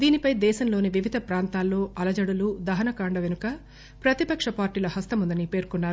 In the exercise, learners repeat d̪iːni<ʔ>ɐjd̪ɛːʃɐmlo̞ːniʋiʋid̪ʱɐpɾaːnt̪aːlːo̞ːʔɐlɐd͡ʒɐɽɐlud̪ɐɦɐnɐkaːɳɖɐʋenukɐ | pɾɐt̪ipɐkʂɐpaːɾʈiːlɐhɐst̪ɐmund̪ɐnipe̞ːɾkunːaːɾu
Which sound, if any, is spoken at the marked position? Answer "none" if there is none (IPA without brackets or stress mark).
p